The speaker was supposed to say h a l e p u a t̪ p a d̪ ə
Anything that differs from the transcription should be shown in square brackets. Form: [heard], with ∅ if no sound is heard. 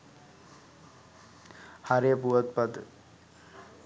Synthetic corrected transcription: h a [ɾ] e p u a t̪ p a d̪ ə